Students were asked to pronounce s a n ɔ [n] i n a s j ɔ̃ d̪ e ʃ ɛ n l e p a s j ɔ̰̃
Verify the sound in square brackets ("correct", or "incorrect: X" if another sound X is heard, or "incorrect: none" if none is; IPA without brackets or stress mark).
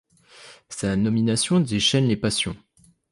incorrect: m